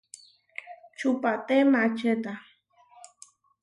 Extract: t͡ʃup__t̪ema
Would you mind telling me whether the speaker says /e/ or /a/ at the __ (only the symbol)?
a